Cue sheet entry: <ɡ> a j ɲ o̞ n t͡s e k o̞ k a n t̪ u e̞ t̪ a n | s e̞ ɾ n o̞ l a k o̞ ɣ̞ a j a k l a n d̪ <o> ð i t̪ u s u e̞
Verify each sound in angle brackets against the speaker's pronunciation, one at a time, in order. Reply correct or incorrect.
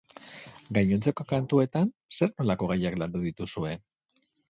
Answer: correct, incorrect: u

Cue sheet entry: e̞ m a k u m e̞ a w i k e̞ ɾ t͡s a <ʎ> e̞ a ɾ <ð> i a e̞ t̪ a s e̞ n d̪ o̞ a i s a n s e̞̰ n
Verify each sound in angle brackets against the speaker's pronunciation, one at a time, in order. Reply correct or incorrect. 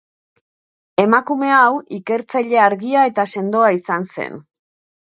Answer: correct, incorrect: ɣ

